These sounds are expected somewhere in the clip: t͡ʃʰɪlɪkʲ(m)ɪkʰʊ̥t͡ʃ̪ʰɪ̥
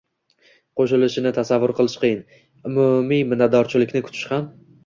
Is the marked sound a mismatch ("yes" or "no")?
yes